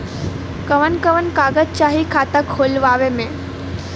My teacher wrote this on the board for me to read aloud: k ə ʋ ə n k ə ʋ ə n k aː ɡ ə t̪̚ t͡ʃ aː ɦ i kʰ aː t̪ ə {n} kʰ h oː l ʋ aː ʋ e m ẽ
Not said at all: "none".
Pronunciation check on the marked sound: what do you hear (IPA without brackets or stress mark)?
none